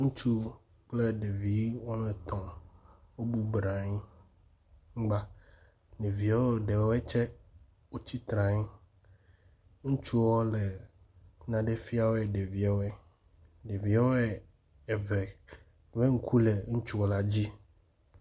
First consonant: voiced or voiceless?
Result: voiced